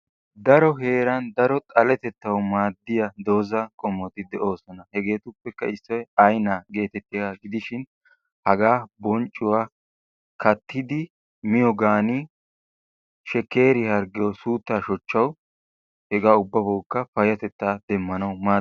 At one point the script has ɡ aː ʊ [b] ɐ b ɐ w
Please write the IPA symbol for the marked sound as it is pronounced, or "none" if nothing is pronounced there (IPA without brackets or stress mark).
bː